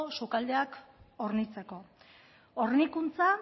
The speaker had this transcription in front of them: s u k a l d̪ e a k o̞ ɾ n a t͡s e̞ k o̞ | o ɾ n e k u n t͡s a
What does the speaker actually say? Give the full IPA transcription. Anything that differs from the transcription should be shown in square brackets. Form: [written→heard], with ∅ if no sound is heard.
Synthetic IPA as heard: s u k a l d̪ e a k o̞ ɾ n [a→i] t͡s e̞ k o̞ | o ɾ n [e→i] k u n t͡s a